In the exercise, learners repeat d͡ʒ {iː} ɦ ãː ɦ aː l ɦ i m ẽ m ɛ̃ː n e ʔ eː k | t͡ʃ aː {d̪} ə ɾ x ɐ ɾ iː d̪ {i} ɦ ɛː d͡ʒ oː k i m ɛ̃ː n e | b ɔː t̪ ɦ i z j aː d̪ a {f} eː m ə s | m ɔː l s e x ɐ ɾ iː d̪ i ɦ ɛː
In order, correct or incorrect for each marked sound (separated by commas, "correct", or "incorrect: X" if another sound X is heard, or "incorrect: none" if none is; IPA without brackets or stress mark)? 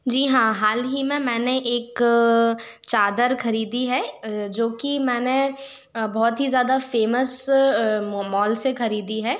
correct, correct, correct, correct